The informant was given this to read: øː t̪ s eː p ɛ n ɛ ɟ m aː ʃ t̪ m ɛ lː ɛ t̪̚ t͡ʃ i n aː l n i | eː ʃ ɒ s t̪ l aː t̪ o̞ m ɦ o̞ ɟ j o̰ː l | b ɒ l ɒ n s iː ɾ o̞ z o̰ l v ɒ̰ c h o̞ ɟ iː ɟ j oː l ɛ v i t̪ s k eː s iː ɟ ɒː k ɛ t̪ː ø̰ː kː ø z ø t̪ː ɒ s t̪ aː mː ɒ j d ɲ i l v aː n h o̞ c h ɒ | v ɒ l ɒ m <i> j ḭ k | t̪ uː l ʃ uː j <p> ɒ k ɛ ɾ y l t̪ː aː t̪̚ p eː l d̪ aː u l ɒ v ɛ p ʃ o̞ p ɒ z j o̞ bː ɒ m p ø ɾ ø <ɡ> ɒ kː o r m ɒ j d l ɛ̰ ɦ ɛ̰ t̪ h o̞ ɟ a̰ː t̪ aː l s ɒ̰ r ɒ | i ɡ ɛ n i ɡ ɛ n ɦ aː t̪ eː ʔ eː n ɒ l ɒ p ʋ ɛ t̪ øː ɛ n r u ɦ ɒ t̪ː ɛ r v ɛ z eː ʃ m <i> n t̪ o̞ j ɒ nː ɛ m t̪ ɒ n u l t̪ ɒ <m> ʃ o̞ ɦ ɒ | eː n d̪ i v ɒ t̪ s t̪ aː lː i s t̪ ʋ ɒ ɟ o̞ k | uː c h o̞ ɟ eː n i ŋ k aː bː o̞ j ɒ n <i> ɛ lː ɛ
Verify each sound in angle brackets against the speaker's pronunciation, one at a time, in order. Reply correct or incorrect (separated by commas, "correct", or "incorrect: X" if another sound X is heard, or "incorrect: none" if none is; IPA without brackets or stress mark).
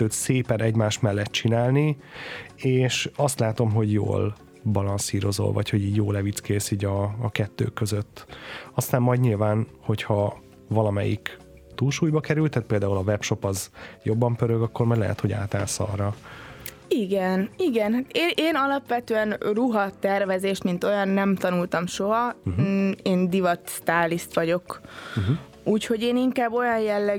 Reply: incorrect: ɛ, incorrect: b, correct, correct, correct, incorrect: j